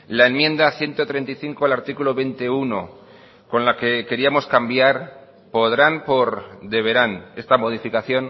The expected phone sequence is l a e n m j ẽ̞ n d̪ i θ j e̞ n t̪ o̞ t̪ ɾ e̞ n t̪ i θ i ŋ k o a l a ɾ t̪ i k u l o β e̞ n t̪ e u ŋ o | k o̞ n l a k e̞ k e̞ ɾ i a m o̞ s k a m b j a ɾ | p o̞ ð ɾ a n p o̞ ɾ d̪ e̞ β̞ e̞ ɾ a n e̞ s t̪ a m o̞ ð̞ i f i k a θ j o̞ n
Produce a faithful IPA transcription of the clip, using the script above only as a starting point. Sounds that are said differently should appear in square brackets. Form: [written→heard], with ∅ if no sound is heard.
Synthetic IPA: l a e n m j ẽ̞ n d̪ [i→a] θ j e̞ n t̪ o̞ t̪ ɾ e̞ n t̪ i θ i ŋ k o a l a ɾ t̪ i k u l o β e̞ n t̪ e u [ŋ→n] o | k o̞ n l a k e̞ k e̞ ɾ i a m o̞ s k a m b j a ɾ | p o̞ ð ɾ a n p o̞ ɾ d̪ e̞ β̞ e̞ ɾ a n e̞ s t̪ a m o̞ ð̞ i f i k a θ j o̞ n